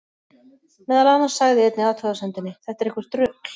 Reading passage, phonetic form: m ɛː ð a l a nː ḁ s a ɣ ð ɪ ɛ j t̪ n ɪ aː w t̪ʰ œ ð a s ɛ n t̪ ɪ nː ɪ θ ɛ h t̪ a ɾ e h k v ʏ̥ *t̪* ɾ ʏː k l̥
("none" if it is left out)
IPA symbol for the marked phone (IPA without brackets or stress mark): t̪